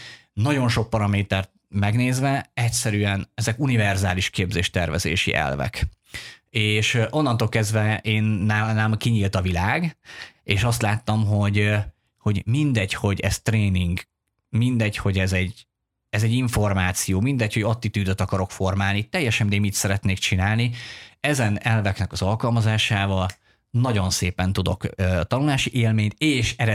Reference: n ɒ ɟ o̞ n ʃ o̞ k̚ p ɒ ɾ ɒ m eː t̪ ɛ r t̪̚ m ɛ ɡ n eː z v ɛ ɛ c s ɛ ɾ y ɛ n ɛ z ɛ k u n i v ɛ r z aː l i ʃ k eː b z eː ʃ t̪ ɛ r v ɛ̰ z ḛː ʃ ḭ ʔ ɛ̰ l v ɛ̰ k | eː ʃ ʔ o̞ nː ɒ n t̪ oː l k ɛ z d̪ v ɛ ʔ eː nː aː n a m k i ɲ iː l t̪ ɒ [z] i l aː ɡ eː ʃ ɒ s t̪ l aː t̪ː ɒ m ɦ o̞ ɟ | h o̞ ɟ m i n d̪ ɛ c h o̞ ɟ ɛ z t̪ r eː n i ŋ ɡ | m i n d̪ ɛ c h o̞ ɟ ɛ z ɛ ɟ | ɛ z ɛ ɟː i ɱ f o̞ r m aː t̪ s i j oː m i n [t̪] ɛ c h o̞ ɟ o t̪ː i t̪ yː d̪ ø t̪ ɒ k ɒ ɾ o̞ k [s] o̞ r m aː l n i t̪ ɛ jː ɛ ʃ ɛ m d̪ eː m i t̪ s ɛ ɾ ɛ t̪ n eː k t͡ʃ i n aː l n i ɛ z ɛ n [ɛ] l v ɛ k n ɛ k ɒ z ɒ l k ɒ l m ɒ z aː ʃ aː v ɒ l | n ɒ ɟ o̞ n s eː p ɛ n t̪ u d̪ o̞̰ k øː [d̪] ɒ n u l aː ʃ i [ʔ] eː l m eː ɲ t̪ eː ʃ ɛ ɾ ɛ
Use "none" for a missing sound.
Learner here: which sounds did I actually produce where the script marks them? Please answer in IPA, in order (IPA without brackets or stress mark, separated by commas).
v, d̪, f, ɛ, t̪, ʔ